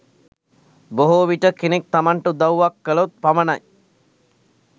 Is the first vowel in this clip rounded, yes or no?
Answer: yes